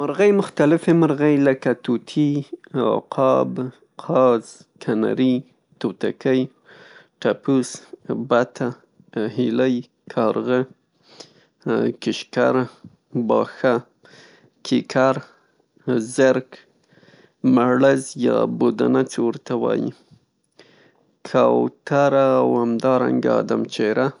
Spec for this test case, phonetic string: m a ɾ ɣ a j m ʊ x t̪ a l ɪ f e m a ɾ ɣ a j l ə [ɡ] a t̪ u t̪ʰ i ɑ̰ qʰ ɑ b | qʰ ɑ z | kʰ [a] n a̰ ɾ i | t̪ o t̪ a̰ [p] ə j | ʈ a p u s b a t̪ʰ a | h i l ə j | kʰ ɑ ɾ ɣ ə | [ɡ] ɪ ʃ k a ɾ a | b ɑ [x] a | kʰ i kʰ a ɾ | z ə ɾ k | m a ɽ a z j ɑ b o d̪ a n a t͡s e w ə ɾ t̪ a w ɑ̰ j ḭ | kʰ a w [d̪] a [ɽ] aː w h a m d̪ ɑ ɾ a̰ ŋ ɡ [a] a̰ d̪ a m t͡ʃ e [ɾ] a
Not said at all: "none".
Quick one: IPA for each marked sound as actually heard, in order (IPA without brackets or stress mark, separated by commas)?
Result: k, a, k, k, x, t̪, ɾ, a, ɾ